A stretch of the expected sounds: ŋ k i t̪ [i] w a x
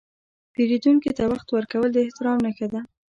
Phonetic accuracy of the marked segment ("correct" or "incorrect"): incorrect